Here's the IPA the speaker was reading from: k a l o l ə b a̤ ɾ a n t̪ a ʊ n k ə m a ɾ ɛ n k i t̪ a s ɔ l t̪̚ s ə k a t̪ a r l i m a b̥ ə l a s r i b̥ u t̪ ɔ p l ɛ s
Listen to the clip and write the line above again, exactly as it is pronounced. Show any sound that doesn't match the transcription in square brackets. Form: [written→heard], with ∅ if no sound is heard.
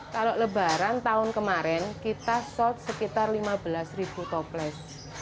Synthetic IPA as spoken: k a l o l ə b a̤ ɾ a n t̪ a ʊ n k ə m a ɾ ɛ n k i t̪ a s ɔ l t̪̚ s ə k [a→i] t̪ a r l i m a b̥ ə l a s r i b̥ u t̪ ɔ p l ɛ s